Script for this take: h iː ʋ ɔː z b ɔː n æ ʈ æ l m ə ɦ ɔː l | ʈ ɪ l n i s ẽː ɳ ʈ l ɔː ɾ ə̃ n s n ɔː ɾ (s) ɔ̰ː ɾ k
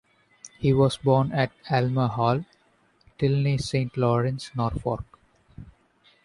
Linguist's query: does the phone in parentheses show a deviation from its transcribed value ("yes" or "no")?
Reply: yes